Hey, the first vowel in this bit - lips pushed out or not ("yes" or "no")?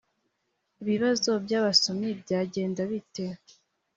no